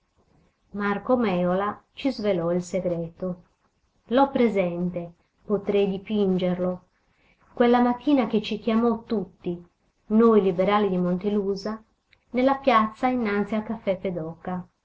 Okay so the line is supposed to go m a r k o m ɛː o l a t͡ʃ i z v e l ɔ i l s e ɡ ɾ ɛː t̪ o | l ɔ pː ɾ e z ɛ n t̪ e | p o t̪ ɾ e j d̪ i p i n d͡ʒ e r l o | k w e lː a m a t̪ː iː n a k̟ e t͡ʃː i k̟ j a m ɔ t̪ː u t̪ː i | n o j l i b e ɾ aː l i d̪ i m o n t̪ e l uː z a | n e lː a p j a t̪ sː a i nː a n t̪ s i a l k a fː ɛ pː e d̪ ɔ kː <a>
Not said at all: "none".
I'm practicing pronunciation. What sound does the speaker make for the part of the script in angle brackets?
a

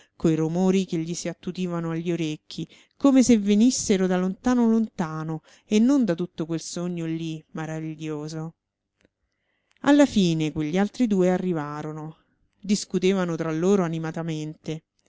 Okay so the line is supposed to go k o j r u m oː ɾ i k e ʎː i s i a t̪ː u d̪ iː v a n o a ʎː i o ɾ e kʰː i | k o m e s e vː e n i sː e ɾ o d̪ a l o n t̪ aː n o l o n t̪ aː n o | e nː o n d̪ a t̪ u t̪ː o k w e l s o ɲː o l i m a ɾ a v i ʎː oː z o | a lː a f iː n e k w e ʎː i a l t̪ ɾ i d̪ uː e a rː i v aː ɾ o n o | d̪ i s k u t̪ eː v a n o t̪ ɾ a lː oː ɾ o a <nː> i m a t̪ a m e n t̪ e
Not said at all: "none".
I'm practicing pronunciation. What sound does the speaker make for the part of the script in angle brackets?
n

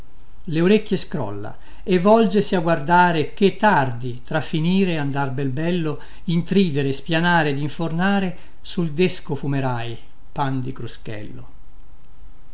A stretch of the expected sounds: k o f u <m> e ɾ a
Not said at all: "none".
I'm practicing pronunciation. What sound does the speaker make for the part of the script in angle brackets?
m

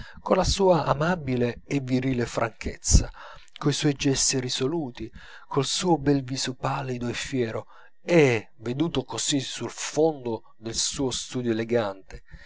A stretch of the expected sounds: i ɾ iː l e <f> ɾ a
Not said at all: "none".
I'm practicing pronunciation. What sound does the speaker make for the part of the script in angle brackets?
f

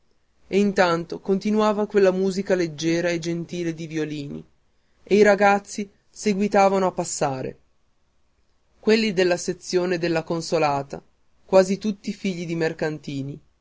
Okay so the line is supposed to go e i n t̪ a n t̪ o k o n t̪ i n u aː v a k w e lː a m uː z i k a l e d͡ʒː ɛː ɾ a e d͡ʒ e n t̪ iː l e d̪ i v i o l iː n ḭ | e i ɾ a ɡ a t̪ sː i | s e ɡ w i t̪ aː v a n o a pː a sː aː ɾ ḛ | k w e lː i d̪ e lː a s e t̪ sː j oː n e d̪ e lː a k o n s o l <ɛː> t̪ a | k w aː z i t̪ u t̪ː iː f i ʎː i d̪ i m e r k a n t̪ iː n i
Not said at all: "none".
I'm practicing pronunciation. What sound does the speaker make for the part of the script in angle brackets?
aː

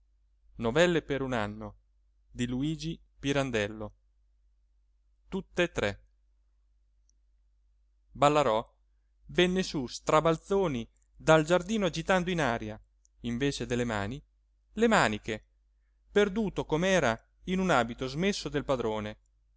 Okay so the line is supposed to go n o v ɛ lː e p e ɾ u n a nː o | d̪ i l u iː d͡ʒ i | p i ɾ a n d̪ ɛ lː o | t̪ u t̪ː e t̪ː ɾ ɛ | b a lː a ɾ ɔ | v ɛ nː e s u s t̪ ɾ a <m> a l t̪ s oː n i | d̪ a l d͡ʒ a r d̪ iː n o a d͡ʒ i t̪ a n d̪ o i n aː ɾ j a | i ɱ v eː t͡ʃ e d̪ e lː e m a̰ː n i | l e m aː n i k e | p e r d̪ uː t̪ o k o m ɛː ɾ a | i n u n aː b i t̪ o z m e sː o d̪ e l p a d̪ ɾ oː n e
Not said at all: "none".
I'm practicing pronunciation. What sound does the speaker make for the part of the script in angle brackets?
b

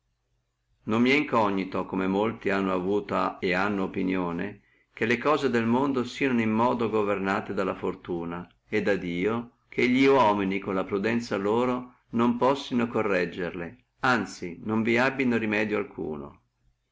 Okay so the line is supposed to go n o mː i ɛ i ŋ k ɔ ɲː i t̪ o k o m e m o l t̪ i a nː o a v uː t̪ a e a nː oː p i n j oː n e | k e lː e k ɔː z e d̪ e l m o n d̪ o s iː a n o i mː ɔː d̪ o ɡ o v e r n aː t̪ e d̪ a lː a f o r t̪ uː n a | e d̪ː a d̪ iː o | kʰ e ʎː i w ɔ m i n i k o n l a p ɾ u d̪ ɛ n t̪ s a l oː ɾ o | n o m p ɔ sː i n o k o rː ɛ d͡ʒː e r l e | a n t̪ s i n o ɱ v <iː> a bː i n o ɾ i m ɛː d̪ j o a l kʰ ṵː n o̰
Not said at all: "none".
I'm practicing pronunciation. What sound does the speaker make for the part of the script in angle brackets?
i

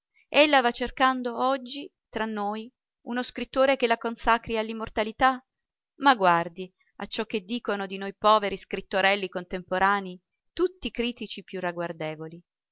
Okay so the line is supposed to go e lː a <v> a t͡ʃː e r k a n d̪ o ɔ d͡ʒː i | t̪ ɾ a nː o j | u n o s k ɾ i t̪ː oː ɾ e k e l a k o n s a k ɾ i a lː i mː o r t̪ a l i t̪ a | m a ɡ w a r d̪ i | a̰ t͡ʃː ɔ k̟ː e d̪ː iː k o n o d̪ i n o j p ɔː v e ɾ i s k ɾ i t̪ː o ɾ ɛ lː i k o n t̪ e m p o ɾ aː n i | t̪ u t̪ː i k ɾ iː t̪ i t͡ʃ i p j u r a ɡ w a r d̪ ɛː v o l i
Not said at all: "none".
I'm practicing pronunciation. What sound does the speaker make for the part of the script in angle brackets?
v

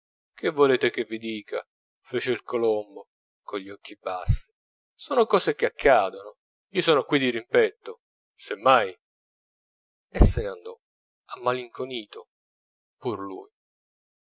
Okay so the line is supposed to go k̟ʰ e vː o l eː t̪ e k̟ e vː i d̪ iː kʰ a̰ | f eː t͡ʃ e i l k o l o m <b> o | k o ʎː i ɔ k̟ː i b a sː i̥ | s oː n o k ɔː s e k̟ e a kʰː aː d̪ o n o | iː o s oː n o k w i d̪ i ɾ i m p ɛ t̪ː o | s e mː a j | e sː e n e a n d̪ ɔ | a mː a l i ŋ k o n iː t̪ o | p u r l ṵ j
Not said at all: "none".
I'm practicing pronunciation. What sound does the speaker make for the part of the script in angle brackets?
b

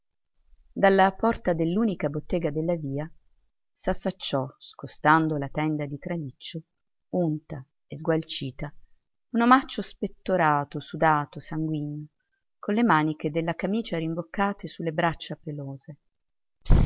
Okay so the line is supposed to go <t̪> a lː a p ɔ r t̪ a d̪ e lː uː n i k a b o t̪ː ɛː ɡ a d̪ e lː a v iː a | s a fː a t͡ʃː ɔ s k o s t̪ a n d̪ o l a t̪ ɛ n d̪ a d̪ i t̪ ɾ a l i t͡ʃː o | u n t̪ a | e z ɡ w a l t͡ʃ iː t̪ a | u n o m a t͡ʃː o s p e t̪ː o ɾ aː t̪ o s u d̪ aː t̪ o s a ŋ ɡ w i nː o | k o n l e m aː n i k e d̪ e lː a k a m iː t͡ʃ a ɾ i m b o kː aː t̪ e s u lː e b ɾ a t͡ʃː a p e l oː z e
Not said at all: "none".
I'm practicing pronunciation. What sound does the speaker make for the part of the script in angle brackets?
d̪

